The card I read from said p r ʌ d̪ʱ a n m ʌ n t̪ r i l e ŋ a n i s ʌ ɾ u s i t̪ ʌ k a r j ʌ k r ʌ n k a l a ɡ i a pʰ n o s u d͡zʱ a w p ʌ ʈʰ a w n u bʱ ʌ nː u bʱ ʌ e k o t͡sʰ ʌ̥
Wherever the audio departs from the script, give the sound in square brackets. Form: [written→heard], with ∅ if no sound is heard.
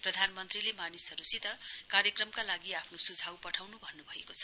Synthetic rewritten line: p r ʌ d̪ʱ a n m ʌ n t̪ r i l e [ŋ→m] a n i s ʌ ɾ u s i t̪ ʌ k a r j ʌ k r ʌ [n→m] k a l a ɡ i a pʰ n o s u d͡zʱ a w p ʌ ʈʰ a w n u bʱ ʌ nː u bʱ ʌ e k o t͡sʰ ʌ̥

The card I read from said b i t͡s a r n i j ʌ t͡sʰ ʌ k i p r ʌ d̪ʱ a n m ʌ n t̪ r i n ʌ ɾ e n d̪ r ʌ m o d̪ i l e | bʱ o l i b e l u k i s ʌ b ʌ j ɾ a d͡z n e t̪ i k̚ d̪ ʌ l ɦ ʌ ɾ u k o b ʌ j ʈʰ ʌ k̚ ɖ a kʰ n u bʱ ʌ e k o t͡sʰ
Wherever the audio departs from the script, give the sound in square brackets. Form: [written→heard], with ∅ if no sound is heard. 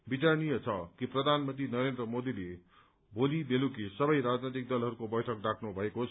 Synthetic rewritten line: b i t͡s a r n i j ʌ t͡sʰ ʌ k i p r ʌ d̪ʱ a n m ʌ n t̪ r i n ʌ ɾ e n d̪ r ʌ m o d̪ i l e | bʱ o l i b e l u k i s ʌ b ʌ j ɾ a d͡z n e t̪ i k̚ d̪ ʌ l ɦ ʌ ɾ u k o b ʌ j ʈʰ ʌ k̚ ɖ a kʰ n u bʱ ʌ e k o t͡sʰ

